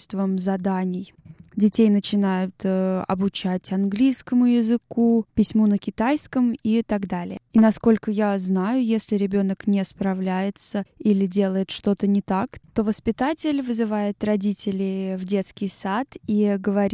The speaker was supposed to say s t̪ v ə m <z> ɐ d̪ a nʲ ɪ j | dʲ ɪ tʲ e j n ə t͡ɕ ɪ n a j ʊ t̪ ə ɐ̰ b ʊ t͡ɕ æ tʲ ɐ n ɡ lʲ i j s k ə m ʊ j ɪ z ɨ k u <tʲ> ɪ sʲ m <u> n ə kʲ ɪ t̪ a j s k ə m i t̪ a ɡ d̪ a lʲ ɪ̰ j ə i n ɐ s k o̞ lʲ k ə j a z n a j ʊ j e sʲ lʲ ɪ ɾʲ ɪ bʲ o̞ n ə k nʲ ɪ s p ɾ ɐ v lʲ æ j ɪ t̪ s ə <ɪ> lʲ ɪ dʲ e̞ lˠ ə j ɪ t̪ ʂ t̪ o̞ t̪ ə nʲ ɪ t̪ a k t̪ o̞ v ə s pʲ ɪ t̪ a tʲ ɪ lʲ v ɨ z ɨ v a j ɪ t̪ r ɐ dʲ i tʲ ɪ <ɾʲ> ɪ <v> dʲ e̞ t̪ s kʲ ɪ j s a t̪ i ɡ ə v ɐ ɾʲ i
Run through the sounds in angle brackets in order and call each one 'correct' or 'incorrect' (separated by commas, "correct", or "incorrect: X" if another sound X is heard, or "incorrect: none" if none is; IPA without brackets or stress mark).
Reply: correct, incorrect: pʲ, correct, incorrect: i, incorrect: lʲ, correct